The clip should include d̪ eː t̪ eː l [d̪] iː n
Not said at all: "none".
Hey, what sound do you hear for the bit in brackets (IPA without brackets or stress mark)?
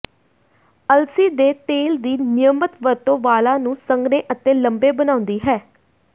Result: d̪